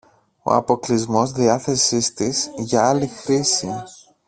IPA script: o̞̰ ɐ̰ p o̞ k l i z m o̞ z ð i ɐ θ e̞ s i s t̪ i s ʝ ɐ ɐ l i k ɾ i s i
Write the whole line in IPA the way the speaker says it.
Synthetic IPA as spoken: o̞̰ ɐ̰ p o̞ k l i z m o̞ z ð i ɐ θ e̞ s i s t̪ i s ʝ ɐ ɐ l i x ɾ i s i